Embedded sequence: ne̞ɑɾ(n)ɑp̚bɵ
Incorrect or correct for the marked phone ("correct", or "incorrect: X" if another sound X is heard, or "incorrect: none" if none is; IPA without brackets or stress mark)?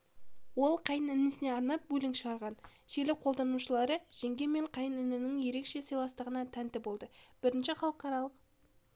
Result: correct